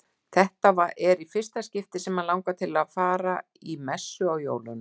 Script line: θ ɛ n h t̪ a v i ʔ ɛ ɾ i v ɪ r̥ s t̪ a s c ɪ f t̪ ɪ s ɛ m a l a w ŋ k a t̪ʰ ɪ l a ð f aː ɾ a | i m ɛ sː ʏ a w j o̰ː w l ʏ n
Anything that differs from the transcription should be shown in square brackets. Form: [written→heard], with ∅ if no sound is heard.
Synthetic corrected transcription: θ ɛ [n→∅] h t̪ a v [i→a] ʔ ɛ ɾ i [v→f] ɪ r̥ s t̪ a s c ɪ f t̪ ɪ s ɛ m a l a w ŋ k a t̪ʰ ɪ l a ð f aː ɾ a | i m ɛ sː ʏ a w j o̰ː w l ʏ n

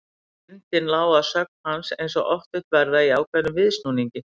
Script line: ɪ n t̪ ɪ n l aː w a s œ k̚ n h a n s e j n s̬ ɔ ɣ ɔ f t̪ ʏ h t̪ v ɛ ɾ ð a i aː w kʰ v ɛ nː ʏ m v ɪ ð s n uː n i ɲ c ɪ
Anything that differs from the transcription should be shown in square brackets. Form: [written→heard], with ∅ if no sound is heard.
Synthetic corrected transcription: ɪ n t̪ ɪ n l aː w a s œ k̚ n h a n s e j n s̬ ɔ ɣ ɔ f t̪ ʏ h t̪ v ɛ ɾ ð a i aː w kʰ v ɛ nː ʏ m v ɪ ð s n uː n i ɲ c ɪ

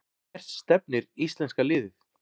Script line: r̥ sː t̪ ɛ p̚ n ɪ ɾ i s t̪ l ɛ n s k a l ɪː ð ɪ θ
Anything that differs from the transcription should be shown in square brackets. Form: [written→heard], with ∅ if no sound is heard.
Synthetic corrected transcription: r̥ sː t̪ ɛ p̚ n ɪ ɾ i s t̪ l ɛ n s k a l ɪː ð ɪ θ

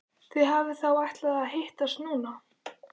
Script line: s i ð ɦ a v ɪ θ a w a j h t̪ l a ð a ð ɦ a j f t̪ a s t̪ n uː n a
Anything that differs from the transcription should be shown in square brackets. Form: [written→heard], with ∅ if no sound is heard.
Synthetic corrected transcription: [s→θ] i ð ɦ a v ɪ θ a w a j h t̪ l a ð a ð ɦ [a→e] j [f→h] t̪ a s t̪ n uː n a

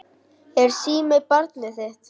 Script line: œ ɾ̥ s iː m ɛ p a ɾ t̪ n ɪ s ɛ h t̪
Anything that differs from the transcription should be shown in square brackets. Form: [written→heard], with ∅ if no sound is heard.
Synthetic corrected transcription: [œ→ɛ] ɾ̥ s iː m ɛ p a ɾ t̪ n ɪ [s→θ] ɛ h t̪

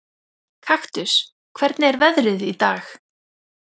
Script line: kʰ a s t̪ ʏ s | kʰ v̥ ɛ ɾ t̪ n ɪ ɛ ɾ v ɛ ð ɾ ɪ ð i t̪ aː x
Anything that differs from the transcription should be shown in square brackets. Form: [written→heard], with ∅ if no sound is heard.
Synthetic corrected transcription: kʰ a [s→x] t̪ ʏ s | kʰ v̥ ɛ ɾ t̪ n ɪ ɛ ɾ v ɛ ð ɾ ɪ ð i t̪ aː x

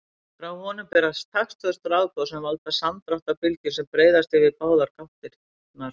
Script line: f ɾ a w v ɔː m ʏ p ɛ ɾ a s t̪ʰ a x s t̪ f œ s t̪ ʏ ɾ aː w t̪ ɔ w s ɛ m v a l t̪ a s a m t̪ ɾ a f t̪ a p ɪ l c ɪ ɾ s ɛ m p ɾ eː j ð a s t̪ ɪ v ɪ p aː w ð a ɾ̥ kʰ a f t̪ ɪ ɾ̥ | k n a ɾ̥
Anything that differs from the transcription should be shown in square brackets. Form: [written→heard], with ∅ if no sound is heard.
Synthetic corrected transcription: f ɾ a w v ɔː [m→n] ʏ p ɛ ɾ a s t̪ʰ a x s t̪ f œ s t̪ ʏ ɾ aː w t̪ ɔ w s ɛ m v a l t̪ a s a m t̪ ɾ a [f→h] t̪ a p ɪ l c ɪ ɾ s ɛ m p ɾ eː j ð a s t̪ ɪ v ɪ p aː w ð a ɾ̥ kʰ a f t̪ ɪ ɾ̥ | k n a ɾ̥

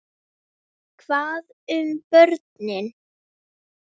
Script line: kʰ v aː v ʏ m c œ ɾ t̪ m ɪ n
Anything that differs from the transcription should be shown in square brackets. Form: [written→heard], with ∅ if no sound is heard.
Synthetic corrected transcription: kʰ v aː [v→ð] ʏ m [c→p] œ ɾ t̪ [m→n] ɪ n

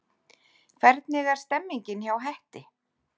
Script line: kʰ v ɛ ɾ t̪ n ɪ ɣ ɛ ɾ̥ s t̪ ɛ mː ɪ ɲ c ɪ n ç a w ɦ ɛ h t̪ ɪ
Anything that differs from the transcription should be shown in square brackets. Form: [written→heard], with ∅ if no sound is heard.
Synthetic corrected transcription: kʰ v ɛ ɾ t̪ n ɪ ɣ [ɛ→a] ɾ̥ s t̪ ɛ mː [ɪ→i] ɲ c ɪ n ç a w ɦ ɛ h t̪ ɪ

